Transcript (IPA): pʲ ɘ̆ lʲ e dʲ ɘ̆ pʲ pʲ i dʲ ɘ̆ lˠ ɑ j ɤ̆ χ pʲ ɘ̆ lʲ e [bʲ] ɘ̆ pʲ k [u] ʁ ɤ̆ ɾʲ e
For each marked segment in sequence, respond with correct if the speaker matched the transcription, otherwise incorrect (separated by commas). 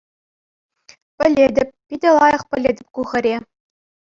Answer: incorrect, correct